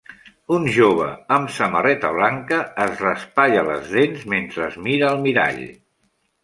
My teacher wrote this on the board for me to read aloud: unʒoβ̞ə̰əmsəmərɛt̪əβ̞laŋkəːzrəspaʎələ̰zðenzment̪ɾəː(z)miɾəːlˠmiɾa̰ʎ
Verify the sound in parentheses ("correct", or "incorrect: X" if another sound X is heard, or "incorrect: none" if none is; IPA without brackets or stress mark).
correct